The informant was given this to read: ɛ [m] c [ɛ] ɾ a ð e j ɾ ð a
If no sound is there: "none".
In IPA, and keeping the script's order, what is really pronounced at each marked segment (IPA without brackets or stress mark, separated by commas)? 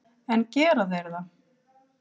n, ɛː